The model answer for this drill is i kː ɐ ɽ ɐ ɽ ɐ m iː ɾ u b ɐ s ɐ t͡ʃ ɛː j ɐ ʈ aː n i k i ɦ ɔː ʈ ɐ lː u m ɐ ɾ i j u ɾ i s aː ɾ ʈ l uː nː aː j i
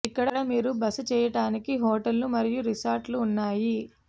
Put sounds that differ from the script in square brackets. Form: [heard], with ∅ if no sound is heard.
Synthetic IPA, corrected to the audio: i kː ɐ ɽ ɐ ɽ ɐ m iː ɾ u b ɐ s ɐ t͡ʃ ɛː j ɐ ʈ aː n i k i ɦ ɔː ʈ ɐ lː u m ɐ ɾ i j u ɾ i s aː ɾ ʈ l uː nː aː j i

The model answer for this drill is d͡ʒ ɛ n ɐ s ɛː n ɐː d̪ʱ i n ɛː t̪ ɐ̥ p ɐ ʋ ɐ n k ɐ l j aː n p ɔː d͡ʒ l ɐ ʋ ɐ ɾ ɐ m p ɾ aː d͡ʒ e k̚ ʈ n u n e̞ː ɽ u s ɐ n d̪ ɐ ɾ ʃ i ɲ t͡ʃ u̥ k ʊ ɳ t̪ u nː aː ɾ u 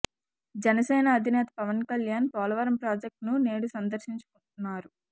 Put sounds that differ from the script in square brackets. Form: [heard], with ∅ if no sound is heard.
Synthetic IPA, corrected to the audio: d͡ʒ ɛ n ɐ s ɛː n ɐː d̪ʱ i n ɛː t̪ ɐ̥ p ɐ ʋ ɐ n k ɐ l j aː n p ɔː [∅] l ɐ ʋ ɐ ɾ ɐ m p ɾ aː d͡ʒ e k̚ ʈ n u n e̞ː ɽ u s ɐ n d̪ ɐ ɾ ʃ i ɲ t͡ʃ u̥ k [u] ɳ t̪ u nː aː ɾ u

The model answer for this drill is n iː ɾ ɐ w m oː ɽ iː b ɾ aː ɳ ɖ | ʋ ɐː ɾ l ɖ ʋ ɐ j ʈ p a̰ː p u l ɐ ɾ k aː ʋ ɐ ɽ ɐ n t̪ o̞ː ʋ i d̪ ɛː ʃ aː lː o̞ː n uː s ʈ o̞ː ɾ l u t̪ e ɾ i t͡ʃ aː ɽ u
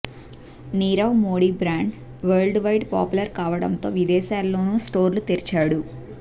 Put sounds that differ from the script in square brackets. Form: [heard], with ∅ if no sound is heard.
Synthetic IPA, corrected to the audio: n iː ɾ ɐ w m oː ɽ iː b ɾ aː ɳ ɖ | ʋ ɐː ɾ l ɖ ʋ ɐ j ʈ p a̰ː p u l ɐ ɾ k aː ʋ ɐ ɽ ɐ n t̪ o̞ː ʋ i d̪ ɛː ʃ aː lː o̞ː n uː s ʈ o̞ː ɾ l u t̪ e ɾ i t͡ʃ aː ɽ u

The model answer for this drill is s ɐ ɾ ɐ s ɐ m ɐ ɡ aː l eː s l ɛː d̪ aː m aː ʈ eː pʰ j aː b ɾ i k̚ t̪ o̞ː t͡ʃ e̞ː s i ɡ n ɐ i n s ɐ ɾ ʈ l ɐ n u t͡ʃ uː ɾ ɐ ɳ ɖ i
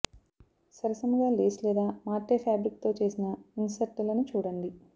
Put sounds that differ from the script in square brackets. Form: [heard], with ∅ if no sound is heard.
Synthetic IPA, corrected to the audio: s ɐ ɾ ɐ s ɐ m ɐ ɡ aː l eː s l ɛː d̪ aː m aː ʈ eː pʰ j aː b ɾ i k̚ t̪ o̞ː t͡ʃ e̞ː s i [∅] n ɐ i n s ɐ ɾ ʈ l ɐ n u t͡ʃ uː [ɽ] ɐ ɳ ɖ i

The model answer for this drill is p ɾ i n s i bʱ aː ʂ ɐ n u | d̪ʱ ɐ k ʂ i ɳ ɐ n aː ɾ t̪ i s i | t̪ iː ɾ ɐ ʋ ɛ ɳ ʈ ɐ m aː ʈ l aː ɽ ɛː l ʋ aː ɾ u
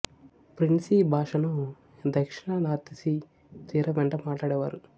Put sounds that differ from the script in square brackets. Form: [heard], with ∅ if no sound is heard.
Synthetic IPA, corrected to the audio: p ɾ i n s i bʱ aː ʂ ɐ n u | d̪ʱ ɐ k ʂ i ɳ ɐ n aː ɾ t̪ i s i | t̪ iː ɾ ɐ ʋ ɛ ɳ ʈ ɐ m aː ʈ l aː ɽ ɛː [∅] ʋ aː ɾ u

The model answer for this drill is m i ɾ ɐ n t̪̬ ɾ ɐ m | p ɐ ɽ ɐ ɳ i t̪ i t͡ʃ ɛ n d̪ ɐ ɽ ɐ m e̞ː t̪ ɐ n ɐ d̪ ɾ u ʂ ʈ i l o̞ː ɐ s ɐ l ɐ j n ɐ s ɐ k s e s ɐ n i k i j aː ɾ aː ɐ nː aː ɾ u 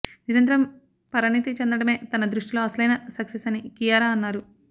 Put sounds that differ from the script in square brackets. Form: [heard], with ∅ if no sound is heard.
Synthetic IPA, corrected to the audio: [n] i ɾ ɐ n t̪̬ ɾ ɐ m | p ɐ [ɾ] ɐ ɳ i t̪ i t͡ʃ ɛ n d̪ ɐ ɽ ɐ m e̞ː t̪ ɐ n ɐ d̪ ɾ u ʂ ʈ i l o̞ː ɐ s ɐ l ɐ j n ɐ s ɐ k s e s ɐ n i k i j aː ɾ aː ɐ nː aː ɾ u

